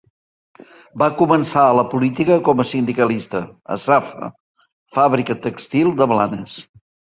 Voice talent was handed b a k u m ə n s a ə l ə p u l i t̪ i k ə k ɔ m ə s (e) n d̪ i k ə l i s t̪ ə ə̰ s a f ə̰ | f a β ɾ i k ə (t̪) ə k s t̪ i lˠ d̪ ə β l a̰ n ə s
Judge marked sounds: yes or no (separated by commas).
no, yes